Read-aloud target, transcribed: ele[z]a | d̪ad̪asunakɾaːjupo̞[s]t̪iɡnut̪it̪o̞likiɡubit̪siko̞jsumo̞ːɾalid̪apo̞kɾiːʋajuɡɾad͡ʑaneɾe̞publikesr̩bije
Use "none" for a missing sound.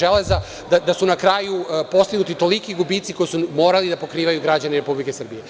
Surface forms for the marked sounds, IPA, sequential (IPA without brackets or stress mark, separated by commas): z, s